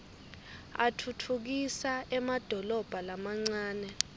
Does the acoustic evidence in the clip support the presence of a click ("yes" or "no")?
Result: yes